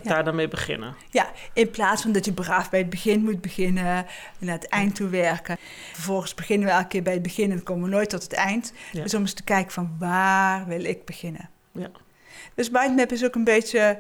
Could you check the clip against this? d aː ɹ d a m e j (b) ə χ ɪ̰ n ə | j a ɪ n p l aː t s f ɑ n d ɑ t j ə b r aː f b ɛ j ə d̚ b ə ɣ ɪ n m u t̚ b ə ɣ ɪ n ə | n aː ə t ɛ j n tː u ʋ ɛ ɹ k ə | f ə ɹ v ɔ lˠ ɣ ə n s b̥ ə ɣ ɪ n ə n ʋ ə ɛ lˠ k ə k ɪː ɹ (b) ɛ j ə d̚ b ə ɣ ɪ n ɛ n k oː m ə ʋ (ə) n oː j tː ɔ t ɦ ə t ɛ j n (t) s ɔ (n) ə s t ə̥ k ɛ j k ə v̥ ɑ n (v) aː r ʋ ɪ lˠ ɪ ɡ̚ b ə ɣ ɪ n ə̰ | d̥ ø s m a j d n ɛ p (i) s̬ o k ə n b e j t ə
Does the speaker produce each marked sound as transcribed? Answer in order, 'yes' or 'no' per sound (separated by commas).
yes, yes, yes, yes, no, no, no